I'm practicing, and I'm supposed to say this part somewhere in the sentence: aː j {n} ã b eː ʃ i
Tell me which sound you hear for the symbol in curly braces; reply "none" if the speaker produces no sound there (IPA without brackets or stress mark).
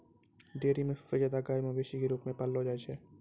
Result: m